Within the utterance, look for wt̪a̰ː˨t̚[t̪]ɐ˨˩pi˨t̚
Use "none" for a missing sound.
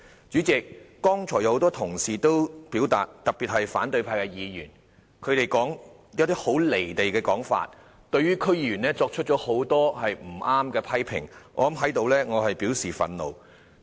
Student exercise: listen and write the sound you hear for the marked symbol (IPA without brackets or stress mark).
t̪